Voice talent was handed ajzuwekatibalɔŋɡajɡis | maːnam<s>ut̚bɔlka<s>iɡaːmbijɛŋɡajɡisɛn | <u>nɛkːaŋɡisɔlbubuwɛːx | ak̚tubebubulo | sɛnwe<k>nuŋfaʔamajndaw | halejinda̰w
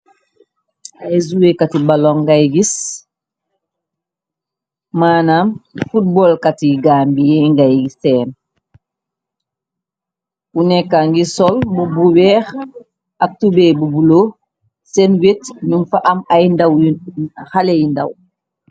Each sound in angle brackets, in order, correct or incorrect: incorrect: f, incorrect: t, correct, incorrect: t

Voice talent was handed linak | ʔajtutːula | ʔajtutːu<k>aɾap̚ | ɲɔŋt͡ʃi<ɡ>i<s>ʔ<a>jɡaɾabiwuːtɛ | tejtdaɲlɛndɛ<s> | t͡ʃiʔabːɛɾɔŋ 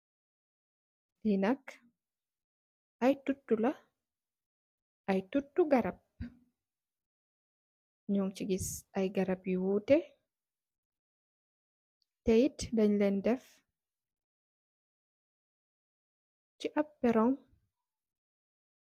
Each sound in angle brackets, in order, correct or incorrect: incorrect: ɡ, correct, correct, correct, incorrect: f

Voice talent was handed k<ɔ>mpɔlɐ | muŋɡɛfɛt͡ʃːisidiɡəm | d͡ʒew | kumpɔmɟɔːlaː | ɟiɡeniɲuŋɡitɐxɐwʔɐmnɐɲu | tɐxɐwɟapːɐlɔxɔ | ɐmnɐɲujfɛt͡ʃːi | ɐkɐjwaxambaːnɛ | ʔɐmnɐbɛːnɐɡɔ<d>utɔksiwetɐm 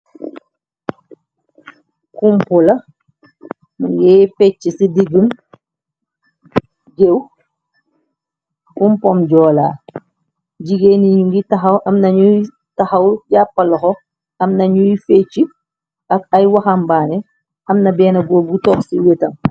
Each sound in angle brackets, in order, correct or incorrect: incorrect: u, incorrect: ɡ

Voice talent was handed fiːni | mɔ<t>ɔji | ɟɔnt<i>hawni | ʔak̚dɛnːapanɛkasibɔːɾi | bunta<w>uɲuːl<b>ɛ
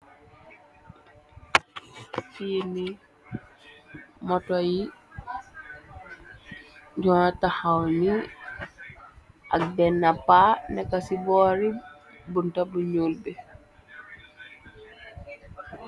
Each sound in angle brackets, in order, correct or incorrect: correct, incorrect: a, incorrect: b, correct

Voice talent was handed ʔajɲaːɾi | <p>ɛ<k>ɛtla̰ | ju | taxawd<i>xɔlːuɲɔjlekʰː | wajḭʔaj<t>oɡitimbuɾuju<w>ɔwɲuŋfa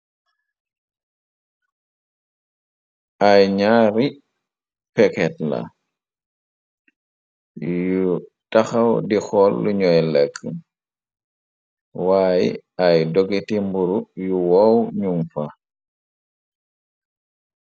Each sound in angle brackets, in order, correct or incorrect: correct, correct, correct, incorrect: d, correct

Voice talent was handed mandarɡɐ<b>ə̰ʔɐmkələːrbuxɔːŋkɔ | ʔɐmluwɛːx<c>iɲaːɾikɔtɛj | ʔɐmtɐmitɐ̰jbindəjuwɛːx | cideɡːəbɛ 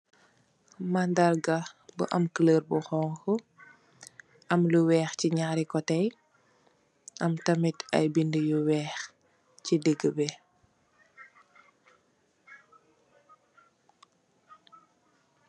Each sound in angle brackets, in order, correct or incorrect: correct, correct

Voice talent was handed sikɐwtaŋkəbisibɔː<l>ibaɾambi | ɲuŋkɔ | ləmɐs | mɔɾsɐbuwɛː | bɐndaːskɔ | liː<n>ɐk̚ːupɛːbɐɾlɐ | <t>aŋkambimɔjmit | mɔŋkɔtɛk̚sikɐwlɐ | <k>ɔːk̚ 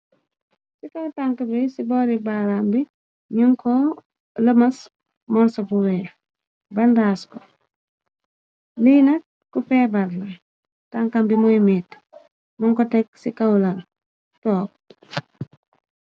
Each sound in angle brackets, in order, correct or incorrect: incorrect: ɾ, correct, correct, incorrect: t

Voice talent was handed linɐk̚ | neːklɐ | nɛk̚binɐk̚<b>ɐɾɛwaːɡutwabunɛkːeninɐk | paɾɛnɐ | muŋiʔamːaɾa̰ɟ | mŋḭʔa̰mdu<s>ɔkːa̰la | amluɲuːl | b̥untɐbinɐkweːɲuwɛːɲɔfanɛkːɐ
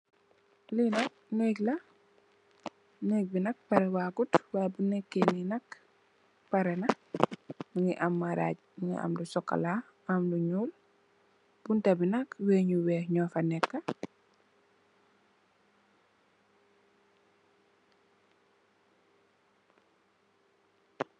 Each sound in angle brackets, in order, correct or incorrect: incorrect: p, correct

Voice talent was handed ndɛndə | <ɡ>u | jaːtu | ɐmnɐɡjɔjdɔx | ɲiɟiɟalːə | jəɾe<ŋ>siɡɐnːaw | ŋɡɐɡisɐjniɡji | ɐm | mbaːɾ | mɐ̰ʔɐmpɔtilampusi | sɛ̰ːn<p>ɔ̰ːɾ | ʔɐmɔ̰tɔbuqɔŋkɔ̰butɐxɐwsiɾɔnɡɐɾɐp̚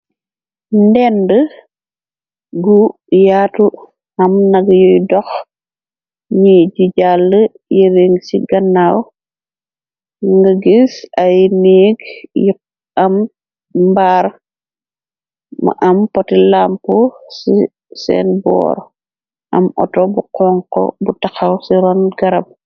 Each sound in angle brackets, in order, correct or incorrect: correct, correct, incorrect: b

